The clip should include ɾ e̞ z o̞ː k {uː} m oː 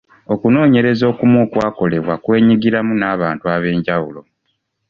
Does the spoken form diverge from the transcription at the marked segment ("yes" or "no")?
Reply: yes